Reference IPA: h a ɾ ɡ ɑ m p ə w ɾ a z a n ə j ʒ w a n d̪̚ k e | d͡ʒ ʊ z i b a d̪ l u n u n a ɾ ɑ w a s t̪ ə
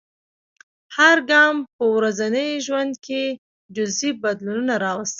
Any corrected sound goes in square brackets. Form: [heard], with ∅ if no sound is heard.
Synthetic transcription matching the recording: h a ɾ ɡ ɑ m p ə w ɾ a z a n ə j ʒ w a n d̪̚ k e | d͡ʒ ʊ z i b a d̪ l u n u n a ɾ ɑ w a s t̪ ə